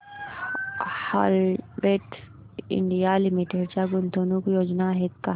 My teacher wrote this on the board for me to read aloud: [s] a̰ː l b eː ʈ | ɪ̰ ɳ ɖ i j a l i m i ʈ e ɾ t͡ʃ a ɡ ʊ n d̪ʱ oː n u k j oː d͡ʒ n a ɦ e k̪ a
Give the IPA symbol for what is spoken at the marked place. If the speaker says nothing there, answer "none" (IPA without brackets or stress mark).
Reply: h